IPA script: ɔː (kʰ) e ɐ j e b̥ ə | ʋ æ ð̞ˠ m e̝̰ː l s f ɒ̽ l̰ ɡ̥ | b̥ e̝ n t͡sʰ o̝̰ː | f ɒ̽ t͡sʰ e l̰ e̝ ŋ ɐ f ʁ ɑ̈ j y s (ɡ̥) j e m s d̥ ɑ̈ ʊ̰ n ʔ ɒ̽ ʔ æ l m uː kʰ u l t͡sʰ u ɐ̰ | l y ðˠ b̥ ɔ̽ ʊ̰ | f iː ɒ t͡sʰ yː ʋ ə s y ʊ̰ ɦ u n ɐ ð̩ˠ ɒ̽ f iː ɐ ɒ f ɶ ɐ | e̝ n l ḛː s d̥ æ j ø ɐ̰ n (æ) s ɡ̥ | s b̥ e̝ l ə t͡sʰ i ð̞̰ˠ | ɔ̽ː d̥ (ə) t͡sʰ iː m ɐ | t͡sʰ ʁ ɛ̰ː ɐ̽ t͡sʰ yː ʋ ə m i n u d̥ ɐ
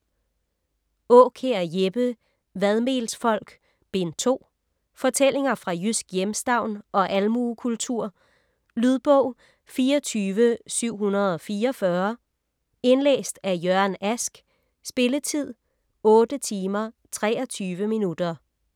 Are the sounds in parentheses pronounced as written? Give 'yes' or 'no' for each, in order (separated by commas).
yes, yes, yes, yes